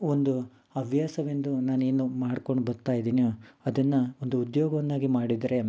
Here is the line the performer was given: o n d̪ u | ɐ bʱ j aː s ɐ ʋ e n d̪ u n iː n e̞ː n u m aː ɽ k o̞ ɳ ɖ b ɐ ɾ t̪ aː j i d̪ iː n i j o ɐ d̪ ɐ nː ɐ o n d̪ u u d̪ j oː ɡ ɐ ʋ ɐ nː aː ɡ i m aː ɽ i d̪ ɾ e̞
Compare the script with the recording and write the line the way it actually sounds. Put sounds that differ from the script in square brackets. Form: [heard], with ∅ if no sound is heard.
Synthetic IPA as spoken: o n d̪ u | ɐ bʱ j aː s ɐ ʋ e n d̪ u n [aː] n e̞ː n u m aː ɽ k o̞ ɳ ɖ b ɐ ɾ t̪ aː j i d̪ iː n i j o ɐ d̪ ɐ nː ɐ o n d̪ u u d̪ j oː ɡ ɐ ʋ ɐ nː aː ɡ i m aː ɽ i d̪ ɾ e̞